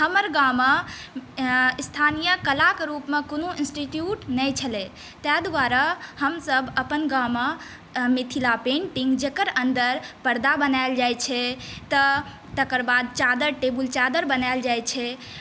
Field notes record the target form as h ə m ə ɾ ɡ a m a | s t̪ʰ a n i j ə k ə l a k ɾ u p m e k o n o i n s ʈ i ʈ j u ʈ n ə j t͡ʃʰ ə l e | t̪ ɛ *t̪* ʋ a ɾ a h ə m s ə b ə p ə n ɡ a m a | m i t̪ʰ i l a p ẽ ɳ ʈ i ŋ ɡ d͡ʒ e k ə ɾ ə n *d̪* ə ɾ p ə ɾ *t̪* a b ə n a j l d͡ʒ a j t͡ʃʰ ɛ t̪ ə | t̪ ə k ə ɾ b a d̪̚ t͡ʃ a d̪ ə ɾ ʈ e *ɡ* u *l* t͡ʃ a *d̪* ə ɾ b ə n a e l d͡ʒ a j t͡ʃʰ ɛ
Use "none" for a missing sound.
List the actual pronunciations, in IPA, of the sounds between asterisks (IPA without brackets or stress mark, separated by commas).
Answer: d̪, d̪, d̪, b, l, d̪